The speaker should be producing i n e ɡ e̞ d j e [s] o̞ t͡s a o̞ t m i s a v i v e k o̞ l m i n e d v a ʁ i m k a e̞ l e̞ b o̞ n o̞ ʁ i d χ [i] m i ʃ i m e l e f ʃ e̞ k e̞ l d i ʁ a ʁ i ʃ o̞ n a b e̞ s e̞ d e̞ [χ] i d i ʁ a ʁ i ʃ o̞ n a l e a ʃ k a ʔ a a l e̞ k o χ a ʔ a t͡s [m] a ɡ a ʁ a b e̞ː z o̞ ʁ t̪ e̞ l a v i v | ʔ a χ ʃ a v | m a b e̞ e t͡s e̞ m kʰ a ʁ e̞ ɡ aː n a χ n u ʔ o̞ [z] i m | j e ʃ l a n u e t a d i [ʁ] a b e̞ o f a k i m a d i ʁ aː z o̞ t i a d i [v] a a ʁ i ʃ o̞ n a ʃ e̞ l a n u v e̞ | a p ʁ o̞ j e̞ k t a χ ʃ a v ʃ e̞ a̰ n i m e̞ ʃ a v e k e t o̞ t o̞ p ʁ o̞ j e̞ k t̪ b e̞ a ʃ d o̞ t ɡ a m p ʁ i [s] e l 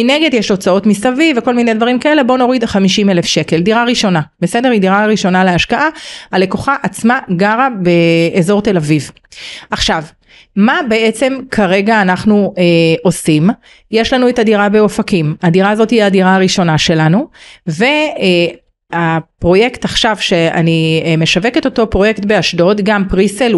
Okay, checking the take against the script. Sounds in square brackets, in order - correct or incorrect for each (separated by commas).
incorrect, incorrect, incorrect, correct, incorrect, correct, incorrect, correct